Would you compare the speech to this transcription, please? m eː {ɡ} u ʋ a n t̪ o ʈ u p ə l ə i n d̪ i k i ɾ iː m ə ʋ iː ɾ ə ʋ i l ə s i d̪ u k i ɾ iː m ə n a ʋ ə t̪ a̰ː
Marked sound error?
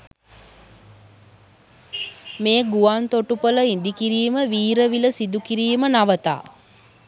no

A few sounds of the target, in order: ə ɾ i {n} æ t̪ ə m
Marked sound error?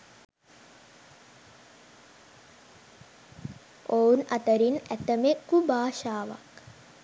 no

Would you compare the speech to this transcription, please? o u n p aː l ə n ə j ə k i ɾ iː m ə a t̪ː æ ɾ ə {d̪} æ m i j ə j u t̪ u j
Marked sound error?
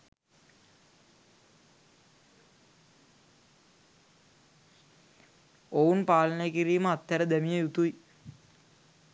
no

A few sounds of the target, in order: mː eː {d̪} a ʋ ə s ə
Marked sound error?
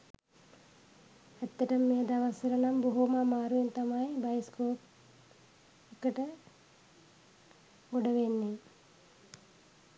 no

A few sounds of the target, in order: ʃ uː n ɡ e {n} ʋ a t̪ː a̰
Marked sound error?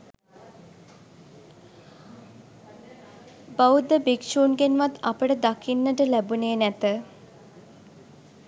no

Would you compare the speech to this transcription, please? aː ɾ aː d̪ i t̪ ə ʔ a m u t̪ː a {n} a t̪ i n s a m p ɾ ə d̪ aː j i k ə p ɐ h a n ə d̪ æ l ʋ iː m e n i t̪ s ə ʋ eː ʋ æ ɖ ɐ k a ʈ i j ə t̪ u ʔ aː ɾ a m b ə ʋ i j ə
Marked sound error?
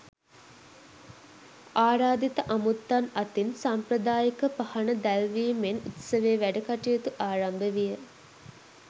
no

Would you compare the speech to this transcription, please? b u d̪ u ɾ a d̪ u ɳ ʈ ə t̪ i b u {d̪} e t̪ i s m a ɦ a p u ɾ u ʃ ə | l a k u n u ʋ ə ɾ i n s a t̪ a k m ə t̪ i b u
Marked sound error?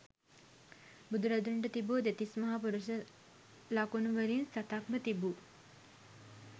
no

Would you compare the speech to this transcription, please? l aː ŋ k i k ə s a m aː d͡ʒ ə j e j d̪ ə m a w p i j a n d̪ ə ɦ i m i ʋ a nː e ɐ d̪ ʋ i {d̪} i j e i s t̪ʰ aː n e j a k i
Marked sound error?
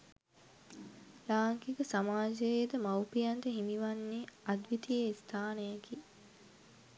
yes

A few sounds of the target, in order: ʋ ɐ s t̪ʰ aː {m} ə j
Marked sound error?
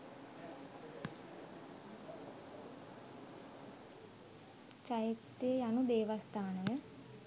yes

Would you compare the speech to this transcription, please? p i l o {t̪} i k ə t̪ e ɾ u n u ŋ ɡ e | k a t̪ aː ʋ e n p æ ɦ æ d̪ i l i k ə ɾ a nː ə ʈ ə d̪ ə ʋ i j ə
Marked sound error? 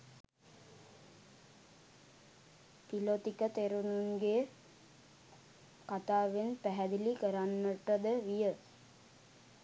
no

